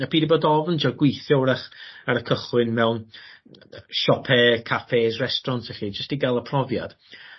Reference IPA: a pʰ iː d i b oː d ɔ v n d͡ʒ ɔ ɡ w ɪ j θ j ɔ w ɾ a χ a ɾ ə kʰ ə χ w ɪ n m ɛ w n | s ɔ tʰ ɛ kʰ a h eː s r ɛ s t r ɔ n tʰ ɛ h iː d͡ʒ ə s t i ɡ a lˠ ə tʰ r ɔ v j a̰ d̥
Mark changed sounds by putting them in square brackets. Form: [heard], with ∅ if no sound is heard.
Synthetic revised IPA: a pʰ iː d i b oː d ɔ v n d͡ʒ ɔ ɡ w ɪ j θ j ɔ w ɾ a χ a ɾ ə kʰ ə χ w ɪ n m ɛ w n | [ʃ] ɔ [pʰ] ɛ kʰ a [f] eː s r ɛ s t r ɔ n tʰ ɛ [χ] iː d͡ʒ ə s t i ɡ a lˠ ə [pʰ] r ɔ v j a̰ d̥